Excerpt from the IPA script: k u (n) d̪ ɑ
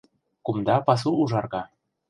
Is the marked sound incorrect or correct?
incorrect